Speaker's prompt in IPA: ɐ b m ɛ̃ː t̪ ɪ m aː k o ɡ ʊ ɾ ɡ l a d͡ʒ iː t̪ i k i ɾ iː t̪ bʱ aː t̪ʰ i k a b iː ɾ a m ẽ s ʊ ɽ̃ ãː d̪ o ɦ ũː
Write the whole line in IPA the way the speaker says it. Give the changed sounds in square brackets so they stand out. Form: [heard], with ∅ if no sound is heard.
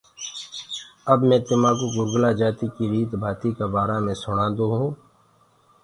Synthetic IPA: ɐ b m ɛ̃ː t̪ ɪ m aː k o ɡ ʊ ɾ ɡ l a d͡ʒ [aː] t̪ i k i ɾ iː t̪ bʱ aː [t̪] i k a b [aː] ɾ a m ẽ s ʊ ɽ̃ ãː d̪ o ɦ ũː